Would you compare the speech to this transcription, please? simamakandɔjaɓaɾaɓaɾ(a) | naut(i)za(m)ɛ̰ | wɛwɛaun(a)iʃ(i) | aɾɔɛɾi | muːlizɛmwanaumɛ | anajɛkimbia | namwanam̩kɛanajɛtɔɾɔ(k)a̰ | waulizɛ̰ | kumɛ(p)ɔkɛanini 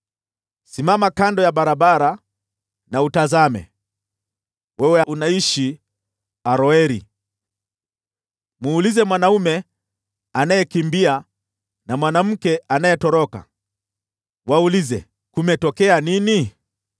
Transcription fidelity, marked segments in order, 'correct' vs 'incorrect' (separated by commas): correct, incorrect, correct, correct, correct, correct, incorrect